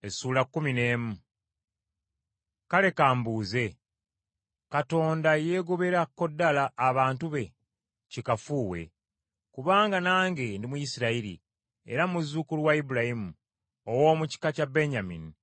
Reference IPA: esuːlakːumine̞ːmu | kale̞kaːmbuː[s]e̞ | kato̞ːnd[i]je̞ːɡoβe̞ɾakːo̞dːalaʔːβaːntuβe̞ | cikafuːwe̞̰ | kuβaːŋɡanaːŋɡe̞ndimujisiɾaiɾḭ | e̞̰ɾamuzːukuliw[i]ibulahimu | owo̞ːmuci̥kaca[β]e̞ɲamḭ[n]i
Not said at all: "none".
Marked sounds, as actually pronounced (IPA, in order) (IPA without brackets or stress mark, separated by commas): z, a, a, b, n